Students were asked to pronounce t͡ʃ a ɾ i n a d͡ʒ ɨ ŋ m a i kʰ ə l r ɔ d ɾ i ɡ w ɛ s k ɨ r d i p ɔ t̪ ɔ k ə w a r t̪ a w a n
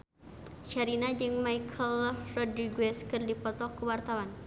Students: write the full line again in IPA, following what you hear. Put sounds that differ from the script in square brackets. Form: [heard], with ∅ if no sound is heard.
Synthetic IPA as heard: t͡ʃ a ɾ i n a d͡ʒ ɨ ŋ m a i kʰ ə l r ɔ d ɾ i ɡ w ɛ s k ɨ r d i p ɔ t̪ ɔ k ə w a r t̪ a w a n